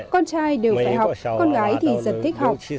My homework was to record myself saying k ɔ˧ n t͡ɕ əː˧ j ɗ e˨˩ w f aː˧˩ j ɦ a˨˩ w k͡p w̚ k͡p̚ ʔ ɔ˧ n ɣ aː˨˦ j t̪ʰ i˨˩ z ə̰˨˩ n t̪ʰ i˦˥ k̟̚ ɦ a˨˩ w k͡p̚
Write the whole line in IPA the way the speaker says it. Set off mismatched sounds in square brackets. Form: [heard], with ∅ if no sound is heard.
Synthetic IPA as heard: k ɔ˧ n t͡ɕ [aː˧] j ɗ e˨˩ w f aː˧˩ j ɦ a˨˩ w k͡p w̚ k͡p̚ [k] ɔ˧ n ɣ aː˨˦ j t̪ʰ i˨˩ z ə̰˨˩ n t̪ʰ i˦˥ k̟̚ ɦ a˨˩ w k͡p̚